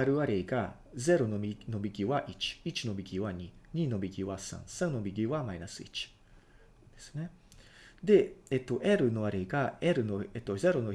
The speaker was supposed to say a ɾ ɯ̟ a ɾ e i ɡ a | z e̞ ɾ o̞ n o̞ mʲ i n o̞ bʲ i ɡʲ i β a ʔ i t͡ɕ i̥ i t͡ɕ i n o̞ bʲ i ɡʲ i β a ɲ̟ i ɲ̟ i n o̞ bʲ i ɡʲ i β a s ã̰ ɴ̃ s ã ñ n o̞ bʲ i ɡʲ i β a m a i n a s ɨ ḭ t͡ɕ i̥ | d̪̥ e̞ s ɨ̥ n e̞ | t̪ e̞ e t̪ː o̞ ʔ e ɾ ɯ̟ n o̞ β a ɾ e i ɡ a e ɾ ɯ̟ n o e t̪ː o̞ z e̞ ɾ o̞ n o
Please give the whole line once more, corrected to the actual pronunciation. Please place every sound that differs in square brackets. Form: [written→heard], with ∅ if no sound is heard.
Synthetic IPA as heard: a ɾ ɯ̟ a ɾ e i ɡ a | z e̞ ɾ o̞ n o̞ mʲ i n o̞ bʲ i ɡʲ i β a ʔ i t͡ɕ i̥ i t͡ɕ i n o̞ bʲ i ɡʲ i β a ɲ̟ i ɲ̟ i n o̞ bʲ i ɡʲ i β a s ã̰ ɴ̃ s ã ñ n o̞ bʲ i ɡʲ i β a m a i n a s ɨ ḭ t͡ɕ i̥ | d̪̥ e̞ s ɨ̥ n e̞ | [t̪→d̪] e̞ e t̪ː o̞ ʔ e ɾ ɯ̟ n o̞ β a ɾ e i ɡ a e ɾ ɯ̟ n o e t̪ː o̞ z e̞ ɾ o̞ n o